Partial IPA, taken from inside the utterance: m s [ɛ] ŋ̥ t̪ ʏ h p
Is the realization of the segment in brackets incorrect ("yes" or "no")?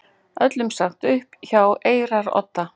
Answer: yes